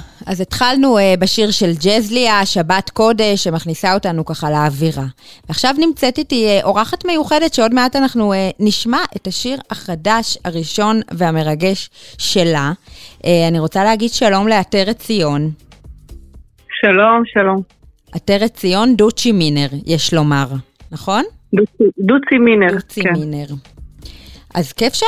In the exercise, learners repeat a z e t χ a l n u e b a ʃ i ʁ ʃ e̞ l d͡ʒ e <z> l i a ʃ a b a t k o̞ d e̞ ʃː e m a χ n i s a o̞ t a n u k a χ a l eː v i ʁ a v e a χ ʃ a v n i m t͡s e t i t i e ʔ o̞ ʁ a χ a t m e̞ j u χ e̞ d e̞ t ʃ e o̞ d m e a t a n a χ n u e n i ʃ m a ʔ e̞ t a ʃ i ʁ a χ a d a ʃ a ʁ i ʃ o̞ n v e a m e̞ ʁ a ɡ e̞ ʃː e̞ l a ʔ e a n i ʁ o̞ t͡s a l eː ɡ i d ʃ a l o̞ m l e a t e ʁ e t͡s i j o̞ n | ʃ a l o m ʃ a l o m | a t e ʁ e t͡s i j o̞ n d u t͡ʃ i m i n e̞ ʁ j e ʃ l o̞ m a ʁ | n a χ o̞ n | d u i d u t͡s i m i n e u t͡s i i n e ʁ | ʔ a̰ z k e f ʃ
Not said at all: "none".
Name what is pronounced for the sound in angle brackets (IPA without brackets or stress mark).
z